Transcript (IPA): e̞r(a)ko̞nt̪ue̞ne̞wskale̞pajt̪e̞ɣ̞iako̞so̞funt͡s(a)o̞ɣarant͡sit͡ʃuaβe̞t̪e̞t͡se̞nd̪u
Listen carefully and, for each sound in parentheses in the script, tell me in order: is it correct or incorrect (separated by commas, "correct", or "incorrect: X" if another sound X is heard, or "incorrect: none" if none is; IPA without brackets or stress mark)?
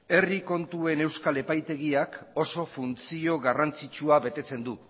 incorrect: i, incorrect: i